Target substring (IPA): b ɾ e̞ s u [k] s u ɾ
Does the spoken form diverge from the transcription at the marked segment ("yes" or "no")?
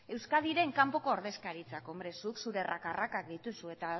no